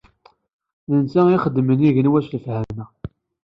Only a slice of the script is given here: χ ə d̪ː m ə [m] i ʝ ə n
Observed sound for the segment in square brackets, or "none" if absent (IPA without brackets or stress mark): n